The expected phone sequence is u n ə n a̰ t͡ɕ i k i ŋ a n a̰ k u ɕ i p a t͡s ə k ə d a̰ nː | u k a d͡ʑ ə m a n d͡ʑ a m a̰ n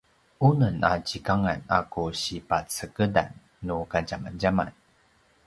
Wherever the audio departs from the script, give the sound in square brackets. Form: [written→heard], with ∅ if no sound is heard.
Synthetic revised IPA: u n ə n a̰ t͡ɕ i k [i→a] ŋ a n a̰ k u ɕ i p a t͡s ə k ə d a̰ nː | u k a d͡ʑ [ə→a] m a n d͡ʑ a m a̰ n